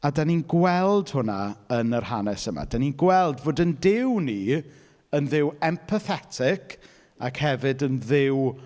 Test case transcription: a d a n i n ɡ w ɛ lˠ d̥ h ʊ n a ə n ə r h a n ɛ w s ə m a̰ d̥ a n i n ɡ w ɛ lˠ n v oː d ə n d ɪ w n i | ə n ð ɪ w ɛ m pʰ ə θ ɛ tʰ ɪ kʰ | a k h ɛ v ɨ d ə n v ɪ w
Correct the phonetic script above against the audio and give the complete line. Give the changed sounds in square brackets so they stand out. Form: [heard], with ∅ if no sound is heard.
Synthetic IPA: a d a n i n ɡ w ɛ lˠ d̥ h ʊ n a ə n ə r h a n ɛ [∅] s ə m a̰ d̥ a n i n ɡ w ɛ lˠ [d] v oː d ə n d ɪ w n i | ə n ð ɪ w ɛ m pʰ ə θ ɛ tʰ ɪ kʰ | a k h ɛ v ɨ d ə n [ð] ɪ w